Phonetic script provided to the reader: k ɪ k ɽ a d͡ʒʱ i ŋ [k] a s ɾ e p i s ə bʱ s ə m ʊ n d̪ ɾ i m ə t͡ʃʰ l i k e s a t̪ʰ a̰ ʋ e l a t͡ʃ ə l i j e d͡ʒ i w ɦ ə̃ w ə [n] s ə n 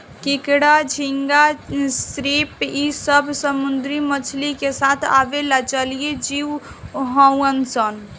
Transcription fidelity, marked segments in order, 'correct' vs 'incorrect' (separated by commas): incorrect, correct